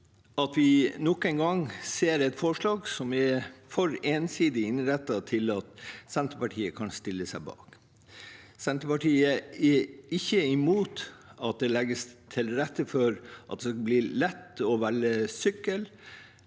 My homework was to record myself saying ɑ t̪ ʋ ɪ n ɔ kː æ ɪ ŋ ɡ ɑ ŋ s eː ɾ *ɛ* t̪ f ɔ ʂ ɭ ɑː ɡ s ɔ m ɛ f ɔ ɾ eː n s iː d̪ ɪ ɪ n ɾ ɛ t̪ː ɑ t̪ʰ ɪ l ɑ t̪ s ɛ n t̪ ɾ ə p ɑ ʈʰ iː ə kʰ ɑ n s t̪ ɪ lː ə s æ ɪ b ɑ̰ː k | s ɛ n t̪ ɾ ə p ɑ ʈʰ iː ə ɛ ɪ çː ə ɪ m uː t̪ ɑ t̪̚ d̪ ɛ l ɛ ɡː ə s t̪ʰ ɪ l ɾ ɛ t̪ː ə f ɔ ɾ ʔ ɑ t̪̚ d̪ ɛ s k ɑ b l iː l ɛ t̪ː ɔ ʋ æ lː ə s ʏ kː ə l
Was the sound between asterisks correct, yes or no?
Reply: yes